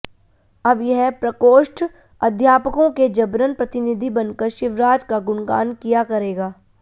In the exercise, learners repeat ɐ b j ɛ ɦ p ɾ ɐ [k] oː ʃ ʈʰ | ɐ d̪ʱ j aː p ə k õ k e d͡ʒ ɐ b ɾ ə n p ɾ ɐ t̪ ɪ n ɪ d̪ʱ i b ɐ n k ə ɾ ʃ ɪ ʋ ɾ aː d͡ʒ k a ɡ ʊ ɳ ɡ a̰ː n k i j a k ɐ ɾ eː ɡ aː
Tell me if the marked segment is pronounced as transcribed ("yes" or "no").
yes